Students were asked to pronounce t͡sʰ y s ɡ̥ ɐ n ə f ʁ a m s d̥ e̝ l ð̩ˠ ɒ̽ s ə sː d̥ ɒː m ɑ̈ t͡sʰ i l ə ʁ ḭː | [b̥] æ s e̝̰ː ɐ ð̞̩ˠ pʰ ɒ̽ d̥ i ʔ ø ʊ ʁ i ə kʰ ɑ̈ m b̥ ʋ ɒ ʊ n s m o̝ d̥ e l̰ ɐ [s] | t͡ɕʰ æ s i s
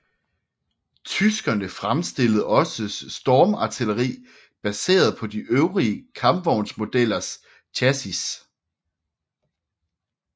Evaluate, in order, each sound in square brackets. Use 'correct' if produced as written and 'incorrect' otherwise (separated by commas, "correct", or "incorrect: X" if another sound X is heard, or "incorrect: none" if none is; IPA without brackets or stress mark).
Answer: correct, correct